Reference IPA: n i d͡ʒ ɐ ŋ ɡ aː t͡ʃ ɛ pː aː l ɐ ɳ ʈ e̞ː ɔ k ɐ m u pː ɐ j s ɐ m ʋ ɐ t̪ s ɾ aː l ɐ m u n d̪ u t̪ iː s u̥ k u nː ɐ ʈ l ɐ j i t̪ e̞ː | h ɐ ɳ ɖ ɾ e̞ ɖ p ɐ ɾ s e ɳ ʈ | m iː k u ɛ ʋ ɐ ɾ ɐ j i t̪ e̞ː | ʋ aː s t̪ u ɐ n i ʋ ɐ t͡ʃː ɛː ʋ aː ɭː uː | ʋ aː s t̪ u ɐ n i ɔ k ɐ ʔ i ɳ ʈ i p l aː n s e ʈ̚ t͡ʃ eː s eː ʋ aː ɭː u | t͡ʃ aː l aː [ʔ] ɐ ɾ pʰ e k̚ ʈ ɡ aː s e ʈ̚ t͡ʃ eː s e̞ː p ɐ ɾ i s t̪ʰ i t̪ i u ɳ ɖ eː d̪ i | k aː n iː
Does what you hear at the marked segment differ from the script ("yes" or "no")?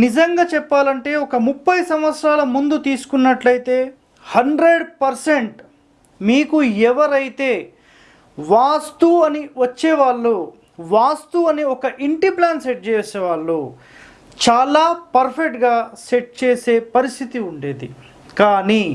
yes